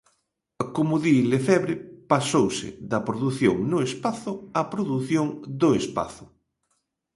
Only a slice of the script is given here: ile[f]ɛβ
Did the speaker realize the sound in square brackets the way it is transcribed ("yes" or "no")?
yes